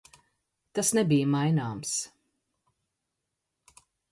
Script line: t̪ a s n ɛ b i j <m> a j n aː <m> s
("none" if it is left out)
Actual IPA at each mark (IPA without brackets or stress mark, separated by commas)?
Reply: m, m